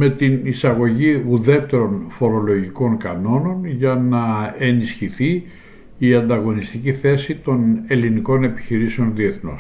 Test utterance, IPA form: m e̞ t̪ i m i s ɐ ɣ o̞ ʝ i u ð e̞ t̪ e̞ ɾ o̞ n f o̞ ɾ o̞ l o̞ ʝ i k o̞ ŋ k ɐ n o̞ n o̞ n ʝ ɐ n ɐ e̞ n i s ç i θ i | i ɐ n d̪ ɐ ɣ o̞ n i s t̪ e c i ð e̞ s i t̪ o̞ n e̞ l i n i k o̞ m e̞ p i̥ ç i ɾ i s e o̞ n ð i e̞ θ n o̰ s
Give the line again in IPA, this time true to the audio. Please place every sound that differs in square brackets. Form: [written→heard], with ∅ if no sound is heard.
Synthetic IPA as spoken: m e̞ t̪ i [m→n] i s ɐ ɣ o̞ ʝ i u ð e̞ t̪ e̞ ɾ o̞ n f o̞ ɾ o̞ l o̞ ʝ i k o̞ ŋ k ɐ n o̞ n o̞ n ʝ ɐ n ɐ e̞ n i s ç i θ i | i ɐ n d̪ ɐ ɣ o̞ n i s t̪ [e→i] c i [ð→θ] e̞ s i t̪ o̞ n e̞ l i n i k o̞ [m→n] e̞ p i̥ ç i ɾ i s e o̞ n ð i e̞ θ n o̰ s